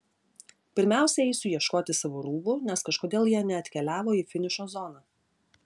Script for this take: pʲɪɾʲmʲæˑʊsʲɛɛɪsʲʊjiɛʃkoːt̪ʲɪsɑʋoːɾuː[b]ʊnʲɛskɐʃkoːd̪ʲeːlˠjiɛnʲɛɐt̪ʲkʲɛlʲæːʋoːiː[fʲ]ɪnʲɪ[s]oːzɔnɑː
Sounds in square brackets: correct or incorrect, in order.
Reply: correct, correct, incorrect

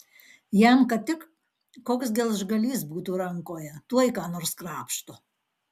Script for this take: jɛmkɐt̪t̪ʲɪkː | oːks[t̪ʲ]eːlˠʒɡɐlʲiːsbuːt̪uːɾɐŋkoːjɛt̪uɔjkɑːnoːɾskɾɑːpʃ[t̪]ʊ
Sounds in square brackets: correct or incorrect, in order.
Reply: incorrect, correct

